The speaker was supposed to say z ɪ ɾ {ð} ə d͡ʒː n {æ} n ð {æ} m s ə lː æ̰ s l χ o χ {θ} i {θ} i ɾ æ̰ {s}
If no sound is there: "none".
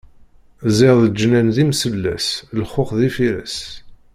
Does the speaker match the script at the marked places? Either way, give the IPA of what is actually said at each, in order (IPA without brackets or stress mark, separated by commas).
ð, æ, i, ð, f, s